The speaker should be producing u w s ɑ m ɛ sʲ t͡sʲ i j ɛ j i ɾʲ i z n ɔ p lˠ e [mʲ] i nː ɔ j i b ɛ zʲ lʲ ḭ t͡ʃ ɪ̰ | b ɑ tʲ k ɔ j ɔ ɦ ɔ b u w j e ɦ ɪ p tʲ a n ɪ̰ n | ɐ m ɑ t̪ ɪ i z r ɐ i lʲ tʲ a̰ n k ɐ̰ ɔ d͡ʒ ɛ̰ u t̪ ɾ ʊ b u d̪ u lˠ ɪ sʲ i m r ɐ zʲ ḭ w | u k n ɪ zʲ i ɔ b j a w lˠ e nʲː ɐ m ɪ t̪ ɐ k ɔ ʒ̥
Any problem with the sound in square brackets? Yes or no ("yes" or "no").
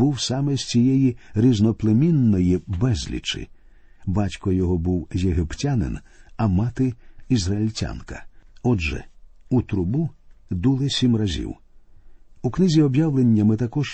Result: no